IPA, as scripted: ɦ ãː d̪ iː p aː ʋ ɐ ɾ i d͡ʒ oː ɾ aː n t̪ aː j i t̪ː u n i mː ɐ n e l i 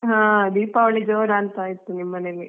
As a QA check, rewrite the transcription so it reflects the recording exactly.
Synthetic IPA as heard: ɦ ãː d̪ iː p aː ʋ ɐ ɭ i d͡ʒ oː ɾ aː n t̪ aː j i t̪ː u n i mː ɐ n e l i